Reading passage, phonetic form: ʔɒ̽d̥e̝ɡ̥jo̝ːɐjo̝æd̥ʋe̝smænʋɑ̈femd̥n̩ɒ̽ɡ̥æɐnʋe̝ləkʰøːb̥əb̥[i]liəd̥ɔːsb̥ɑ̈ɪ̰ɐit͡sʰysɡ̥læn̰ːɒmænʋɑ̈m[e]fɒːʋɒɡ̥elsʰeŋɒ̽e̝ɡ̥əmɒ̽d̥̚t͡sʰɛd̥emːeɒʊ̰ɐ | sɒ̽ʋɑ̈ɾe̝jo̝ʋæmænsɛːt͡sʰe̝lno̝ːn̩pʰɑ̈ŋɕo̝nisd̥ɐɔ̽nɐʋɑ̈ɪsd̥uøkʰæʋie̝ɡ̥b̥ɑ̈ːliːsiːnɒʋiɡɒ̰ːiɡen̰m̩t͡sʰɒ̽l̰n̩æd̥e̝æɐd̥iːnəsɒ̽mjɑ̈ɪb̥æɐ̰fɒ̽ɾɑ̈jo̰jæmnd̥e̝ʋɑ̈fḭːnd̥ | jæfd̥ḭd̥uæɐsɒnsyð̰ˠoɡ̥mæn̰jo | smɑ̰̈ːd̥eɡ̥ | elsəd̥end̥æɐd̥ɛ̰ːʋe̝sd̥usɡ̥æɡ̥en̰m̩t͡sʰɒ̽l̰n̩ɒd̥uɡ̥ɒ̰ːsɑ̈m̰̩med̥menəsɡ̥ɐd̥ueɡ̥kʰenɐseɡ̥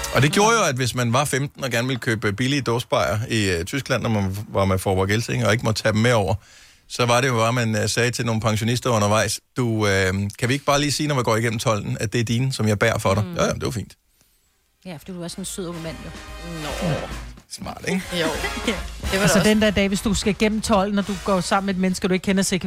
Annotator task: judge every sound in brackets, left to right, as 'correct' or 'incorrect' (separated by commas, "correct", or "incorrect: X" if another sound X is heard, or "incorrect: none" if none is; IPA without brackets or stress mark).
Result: correct, correct